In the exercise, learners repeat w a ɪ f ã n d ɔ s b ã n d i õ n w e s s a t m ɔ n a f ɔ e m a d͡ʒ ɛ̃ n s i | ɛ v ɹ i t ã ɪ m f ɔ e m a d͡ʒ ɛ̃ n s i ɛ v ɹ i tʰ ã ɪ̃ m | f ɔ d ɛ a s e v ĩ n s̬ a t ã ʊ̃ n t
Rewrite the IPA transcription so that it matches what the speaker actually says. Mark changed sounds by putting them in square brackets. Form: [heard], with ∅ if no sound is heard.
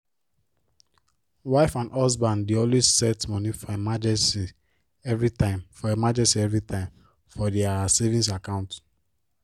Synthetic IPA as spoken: w a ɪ f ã n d ɔ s b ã n d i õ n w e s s [ɛ] t m ɔ n [i] f ɔ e m a d͡ʒ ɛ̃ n s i | ɛ v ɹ i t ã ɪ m f ɔ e m a d͡ʒ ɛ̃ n s i ɛ v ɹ i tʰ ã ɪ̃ m | f ɔ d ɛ a s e v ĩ n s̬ a [k] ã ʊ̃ n t